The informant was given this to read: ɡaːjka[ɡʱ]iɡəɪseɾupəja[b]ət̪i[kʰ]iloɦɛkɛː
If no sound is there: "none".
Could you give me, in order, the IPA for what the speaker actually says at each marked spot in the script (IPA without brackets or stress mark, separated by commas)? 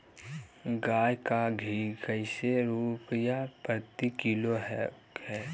ɡʱ, p, k